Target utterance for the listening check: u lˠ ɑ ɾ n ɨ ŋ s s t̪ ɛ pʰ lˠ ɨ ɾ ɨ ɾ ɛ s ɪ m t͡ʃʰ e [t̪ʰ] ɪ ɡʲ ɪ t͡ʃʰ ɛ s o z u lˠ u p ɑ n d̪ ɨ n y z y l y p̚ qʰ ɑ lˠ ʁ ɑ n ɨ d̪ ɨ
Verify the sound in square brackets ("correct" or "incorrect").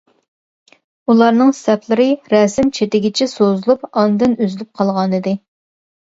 incorrect